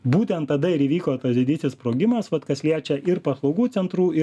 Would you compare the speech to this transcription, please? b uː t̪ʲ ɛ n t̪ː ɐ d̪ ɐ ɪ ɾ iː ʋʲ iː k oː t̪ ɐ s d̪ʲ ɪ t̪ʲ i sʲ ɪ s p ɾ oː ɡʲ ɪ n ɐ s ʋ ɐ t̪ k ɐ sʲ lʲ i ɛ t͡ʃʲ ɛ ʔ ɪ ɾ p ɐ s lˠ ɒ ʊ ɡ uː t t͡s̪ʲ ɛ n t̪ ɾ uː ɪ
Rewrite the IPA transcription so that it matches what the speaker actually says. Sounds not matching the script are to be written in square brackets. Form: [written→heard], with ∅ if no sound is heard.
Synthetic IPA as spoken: b uː t̪ʲ ɛ n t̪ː ɐ d̪ ɐ ɪ ɾ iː ʋʲ iː k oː t̪ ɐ s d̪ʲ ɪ [t̪ʲ→d̪ʲ] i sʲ ɪ s p ɾ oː ɡʲ ɪ [n→m] ɐ s ʋ ɐ t̪ k ɐ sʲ lʲ i ɛ t͡ʃʲ ɛ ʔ ɪ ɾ p ɐ s lˠ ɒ ʊ ɡ uː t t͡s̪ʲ ɛ n t̪ ɾ uː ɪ